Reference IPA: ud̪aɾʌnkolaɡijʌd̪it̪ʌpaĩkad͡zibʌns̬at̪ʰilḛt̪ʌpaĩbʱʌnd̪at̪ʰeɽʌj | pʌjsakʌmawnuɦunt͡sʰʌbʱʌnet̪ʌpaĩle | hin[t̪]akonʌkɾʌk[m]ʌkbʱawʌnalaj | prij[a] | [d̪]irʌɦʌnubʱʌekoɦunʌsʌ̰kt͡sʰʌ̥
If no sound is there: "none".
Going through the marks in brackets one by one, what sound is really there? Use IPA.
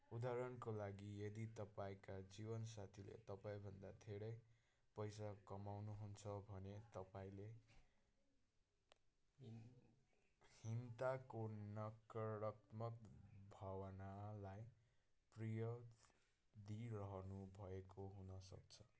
t̪, m, ʌ, d̪

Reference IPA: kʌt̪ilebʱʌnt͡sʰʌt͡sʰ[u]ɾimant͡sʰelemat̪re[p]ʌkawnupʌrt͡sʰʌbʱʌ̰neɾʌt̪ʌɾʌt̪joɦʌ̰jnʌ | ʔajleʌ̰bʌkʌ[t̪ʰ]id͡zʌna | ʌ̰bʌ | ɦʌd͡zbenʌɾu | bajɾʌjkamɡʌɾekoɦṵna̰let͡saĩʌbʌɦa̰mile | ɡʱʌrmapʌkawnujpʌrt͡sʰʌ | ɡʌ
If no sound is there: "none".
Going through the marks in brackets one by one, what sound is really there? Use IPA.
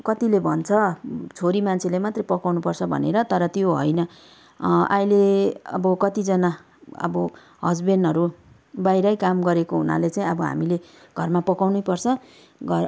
o, p, t̪

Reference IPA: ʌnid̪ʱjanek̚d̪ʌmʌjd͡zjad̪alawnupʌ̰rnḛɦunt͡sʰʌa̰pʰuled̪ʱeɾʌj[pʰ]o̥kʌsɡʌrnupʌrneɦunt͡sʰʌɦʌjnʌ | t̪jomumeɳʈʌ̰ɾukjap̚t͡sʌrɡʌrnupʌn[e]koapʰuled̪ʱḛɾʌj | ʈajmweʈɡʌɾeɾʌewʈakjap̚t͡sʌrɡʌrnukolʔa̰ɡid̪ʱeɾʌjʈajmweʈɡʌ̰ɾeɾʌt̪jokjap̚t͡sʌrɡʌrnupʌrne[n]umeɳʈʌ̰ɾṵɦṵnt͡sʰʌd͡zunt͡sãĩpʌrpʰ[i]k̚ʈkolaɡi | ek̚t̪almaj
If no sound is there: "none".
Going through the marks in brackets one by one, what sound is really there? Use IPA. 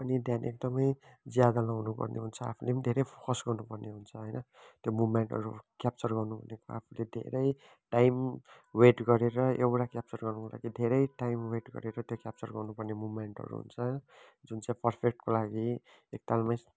pʰ, e, m, e

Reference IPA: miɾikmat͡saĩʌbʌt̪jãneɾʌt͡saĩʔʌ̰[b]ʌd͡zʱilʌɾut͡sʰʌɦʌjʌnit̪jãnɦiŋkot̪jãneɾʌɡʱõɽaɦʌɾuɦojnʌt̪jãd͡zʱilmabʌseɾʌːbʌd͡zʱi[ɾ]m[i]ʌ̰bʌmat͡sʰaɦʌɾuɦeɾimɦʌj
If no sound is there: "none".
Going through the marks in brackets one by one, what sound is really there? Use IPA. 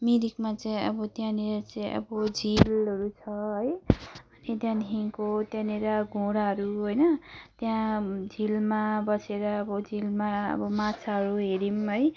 b, l, a

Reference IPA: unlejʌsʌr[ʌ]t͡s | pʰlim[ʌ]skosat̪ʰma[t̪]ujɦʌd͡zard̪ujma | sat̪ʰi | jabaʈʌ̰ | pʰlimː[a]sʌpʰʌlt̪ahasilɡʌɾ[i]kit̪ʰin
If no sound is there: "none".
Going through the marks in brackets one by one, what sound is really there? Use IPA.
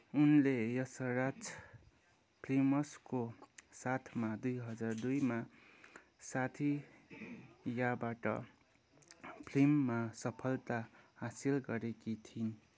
a, ʌ, d̪, a, e

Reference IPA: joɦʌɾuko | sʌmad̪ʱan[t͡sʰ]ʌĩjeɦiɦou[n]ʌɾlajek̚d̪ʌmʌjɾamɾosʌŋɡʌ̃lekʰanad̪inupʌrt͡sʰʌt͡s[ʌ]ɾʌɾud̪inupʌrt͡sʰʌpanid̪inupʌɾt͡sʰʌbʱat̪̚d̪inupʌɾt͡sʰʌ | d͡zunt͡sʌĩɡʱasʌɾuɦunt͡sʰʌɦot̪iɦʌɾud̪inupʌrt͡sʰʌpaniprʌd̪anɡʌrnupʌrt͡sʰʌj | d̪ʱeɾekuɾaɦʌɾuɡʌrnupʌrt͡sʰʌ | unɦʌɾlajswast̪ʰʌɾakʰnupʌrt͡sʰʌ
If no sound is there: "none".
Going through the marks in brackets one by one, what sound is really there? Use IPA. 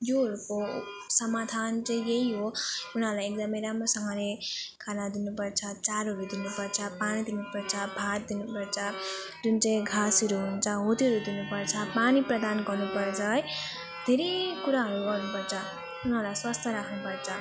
t͡s, n, a

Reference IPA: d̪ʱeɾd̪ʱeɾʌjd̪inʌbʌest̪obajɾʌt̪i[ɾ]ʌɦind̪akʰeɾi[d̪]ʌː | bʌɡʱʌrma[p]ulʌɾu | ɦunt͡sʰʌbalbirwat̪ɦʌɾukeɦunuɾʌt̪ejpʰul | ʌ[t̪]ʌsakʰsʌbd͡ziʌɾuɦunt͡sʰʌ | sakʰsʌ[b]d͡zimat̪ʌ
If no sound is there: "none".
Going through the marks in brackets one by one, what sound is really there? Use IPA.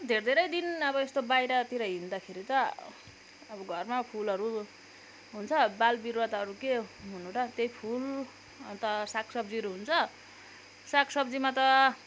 ɾ, t̪, pʰ, t̪, b

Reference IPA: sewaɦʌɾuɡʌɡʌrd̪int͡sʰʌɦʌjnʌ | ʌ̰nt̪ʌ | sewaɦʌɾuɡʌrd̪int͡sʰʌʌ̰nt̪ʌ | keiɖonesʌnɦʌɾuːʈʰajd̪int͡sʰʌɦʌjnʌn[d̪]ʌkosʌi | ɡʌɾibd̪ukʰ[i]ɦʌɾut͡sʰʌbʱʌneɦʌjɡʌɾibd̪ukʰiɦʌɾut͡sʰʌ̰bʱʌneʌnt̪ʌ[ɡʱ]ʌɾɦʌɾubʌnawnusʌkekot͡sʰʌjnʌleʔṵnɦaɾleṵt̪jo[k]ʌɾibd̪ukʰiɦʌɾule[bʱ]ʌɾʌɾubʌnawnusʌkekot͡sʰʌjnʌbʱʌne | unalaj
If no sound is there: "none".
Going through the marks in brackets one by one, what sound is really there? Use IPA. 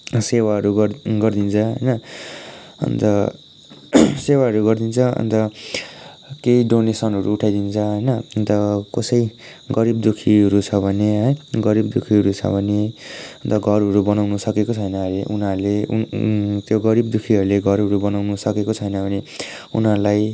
t̪, i, ɡʱ, ɡ, ɡʱ

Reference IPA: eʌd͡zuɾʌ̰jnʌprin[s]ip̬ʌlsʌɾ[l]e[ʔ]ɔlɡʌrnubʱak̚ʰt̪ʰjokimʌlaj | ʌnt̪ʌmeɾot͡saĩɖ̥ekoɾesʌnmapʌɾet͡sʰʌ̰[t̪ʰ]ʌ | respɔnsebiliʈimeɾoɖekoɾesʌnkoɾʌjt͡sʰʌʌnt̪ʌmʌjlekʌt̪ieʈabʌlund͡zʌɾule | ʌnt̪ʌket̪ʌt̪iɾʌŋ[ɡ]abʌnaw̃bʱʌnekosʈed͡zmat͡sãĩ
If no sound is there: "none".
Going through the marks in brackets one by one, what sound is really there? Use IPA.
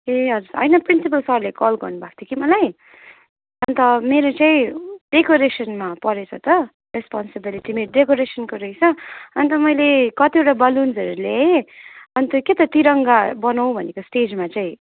s, l, k, t̪, ɡ

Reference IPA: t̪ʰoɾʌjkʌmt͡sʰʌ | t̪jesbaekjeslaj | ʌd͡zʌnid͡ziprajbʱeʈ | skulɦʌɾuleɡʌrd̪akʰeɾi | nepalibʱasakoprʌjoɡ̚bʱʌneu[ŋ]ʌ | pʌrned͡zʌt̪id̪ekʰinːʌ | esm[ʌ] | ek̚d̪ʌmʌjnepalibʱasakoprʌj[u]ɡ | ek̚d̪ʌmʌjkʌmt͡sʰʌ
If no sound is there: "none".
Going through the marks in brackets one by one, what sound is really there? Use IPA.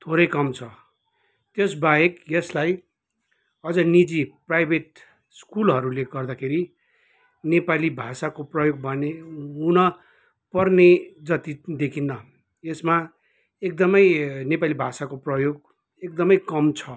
n, a, o

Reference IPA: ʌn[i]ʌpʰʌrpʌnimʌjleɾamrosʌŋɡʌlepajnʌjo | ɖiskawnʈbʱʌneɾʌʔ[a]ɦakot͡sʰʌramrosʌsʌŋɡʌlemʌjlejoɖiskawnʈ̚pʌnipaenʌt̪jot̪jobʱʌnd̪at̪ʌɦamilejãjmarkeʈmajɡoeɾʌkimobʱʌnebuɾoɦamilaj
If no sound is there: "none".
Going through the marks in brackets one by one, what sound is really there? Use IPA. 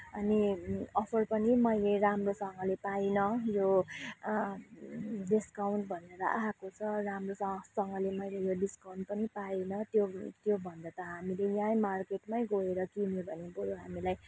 i, a

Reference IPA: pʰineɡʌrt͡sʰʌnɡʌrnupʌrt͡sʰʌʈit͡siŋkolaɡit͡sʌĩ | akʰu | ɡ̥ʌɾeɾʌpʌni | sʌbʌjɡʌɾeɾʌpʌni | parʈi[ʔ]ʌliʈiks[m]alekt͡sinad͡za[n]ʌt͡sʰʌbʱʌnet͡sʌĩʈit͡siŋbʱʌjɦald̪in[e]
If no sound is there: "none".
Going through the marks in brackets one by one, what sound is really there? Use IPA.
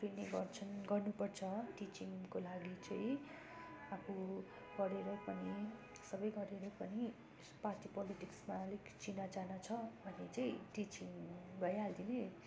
p, m, n, e

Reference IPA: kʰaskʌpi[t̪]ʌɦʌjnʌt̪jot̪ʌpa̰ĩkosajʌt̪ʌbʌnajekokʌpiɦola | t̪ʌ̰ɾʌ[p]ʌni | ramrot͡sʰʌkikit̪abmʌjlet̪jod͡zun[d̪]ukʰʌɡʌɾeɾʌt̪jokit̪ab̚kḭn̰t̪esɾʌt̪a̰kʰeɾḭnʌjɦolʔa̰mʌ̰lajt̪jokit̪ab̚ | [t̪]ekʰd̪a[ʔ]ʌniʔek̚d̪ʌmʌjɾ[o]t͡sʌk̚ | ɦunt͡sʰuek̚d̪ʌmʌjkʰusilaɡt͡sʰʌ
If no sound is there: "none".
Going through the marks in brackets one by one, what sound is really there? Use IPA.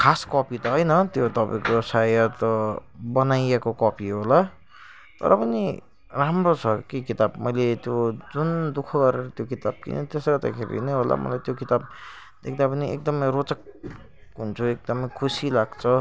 t̪, p, d̪, d̪, p, o

